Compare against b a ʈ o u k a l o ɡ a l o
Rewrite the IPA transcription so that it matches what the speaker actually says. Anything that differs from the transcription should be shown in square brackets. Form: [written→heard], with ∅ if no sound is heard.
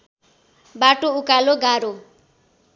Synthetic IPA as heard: b a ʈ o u k a l o ɡ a [l→ɾ] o

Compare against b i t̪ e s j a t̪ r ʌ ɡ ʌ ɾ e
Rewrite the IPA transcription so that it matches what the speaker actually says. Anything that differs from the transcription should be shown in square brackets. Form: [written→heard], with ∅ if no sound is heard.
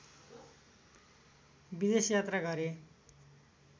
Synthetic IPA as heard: b i [t̪→d̪] e s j a t̪ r [ʌ→a] ɡ ʌ ɾ e

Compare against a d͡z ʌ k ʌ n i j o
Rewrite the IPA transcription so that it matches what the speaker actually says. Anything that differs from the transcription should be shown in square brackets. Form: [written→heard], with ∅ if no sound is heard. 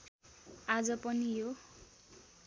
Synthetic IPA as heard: a d͡z ʌ [k→p] ʌ n i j o

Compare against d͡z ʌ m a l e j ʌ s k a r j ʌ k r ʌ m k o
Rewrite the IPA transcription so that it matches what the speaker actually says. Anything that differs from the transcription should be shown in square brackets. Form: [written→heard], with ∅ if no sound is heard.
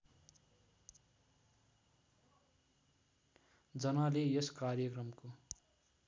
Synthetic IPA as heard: d͡z ʌ [m→n] a l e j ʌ s k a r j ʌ k r ʌ m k o

